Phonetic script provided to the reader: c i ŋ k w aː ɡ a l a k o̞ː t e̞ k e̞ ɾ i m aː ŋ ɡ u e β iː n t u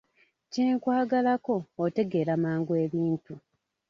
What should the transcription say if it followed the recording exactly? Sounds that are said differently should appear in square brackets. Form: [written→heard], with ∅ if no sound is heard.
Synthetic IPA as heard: c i ŋ k w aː ɡ a l a k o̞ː t e̞ [k→ɡ] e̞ ɾ [i→a] m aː ŋ ɡ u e β iː n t u